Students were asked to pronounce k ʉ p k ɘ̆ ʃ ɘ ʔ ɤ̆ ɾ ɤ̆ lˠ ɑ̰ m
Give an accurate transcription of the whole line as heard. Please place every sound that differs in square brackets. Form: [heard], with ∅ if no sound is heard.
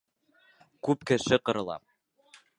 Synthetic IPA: k ʉ p k ɘ̆ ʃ ɘ [q] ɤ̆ ɾ ɤ̆ lˠ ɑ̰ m